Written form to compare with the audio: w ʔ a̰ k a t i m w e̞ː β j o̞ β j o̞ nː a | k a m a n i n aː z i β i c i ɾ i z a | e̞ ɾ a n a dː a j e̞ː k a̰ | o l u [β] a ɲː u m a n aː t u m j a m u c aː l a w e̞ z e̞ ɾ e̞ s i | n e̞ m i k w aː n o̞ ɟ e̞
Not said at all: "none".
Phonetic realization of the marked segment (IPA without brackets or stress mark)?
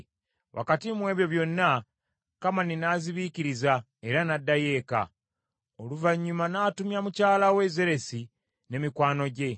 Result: v